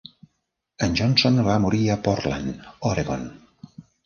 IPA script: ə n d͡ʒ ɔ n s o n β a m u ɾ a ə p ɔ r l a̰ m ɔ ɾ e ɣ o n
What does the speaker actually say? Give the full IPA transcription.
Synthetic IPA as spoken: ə n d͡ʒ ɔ n s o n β a m u ɾ i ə p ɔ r l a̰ n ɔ ɾ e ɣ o n